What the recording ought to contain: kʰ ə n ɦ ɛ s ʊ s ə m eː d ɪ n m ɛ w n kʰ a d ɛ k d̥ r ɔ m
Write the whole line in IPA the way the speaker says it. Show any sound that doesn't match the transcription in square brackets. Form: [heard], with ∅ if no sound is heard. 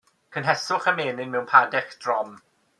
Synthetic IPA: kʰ ə n ɦ ɛ s ʊ [χ] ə m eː [n] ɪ n m ɛ w n [pʰ] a d ɛ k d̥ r ɔ m

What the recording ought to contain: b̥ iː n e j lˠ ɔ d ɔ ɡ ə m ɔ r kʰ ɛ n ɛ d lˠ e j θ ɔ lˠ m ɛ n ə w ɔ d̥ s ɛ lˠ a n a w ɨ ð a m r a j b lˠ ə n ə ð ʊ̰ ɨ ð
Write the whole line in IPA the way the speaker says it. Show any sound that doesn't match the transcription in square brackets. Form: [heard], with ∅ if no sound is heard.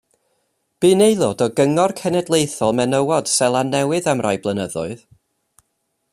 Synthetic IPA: b̥ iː n e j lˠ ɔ d ɔ ɡ ə [ŋ] ɔ r kʰ ɛ n ɛ d lˠ e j θ ɔ lˠ m ɛ n ə w ɔ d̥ s ɛ lˠ a n [ɛ] w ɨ ð a m r a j b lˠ ə n ə ð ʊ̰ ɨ ð

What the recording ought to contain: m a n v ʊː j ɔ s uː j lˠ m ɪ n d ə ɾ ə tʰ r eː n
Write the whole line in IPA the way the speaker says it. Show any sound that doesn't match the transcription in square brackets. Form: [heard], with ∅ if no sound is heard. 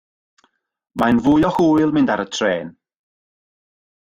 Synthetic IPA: m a n v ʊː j ɔ [h] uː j lˠ m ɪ n d [a] ɾ ə tʰ r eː n

